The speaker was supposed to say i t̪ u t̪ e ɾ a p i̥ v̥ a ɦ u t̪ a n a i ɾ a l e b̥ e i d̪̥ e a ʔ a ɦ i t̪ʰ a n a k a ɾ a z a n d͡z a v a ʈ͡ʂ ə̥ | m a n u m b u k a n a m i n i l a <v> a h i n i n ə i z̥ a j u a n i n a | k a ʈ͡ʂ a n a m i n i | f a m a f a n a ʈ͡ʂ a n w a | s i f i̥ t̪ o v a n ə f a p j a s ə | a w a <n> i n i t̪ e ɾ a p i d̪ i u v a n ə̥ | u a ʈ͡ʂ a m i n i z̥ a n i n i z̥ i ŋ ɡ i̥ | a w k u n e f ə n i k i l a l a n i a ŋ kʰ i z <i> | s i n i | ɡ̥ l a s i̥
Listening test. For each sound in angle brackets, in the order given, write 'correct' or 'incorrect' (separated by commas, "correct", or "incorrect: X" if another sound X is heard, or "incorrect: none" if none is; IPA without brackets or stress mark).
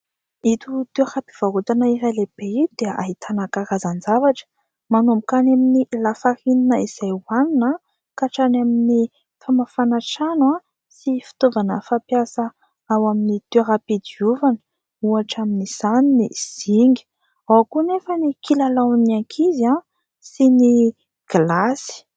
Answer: incorrect: f, incorrect: m, incorrect: a